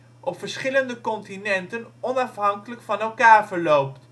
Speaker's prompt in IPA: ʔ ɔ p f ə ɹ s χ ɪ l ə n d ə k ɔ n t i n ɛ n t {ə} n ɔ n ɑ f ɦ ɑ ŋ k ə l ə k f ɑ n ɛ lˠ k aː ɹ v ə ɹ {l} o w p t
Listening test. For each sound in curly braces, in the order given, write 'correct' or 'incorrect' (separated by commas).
correct, correct